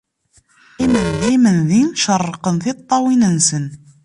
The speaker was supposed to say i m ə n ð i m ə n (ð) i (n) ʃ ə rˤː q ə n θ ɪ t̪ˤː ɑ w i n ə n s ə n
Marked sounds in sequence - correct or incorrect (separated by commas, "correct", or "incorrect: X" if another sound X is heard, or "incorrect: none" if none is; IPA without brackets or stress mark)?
correct, correct